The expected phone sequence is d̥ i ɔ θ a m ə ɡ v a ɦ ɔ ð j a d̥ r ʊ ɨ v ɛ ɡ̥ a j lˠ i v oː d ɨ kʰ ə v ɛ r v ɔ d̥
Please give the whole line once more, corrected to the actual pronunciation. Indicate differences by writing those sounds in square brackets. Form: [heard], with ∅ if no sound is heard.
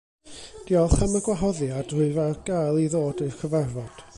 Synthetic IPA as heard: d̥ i ɔ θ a m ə ɡ [w] a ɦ ɔ ð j a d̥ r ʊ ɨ v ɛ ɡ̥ a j lˠ i [ð] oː d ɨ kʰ ə v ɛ r v ɔ d̥